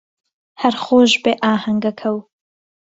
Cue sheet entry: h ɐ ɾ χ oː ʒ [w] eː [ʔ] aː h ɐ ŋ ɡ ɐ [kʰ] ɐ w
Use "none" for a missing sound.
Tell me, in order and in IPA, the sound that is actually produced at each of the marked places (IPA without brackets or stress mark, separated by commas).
b, ʔ, kʰ